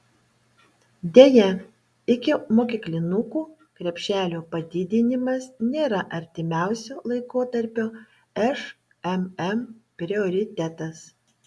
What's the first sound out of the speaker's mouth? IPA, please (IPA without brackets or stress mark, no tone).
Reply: d̪ʲ